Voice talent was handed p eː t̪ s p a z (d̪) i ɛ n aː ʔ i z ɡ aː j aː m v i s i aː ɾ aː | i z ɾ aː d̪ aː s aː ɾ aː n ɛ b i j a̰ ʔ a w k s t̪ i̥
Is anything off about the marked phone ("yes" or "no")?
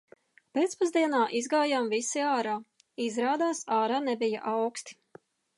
no